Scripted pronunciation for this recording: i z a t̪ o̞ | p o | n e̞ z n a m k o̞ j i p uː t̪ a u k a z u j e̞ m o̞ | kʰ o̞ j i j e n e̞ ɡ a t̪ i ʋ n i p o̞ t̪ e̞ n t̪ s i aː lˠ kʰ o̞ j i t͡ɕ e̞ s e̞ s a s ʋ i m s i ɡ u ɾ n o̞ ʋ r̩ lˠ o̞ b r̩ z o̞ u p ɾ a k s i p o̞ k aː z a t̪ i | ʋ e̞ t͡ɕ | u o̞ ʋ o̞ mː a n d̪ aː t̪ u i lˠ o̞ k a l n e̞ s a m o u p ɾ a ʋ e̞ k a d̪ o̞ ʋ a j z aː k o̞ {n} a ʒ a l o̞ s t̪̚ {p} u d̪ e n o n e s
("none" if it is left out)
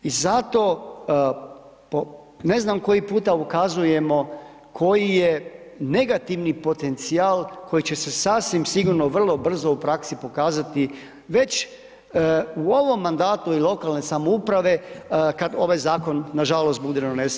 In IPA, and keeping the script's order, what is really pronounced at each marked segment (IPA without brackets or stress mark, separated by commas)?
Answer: nː, b